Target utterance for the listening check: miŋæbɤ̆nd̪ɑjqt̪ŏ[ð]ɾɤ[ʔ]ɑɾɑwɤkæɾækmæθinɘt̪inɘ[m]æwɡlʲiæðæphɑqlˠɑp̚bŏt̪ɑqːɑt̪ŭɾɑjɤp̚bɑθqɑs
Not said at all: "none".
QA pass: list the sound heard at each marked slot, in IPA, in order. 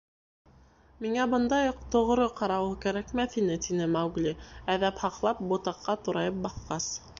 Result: ʁ, q, m

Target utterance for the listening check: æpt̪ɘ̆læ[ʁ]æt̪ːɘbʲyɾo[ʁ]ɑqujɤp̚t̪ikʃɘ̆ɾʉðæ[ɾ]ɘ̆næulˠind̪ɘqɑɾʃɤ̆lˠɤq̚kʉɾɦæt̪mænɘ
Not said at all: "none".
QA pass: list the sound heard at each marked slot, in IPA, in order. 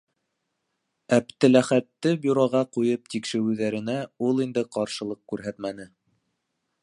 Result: χ, ʁ, ɾ

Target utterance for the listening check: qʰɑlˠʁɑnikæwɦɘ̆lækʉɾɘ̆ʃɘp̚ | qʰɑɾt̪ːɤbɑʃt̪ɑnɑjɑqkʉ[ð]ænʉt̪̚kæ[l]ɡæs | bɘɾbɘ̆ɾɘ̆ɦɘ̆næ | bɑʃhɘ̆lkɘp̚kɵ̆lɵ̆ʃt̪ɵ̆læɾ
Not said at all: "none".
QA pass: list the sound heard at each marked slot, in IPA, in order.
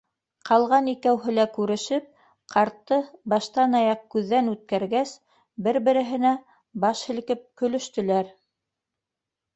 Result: ðː, ɾ

